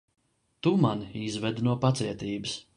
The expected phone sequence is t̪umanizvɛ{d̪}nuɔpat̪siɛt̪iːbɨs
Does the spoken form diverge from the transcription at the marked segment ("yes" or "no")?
no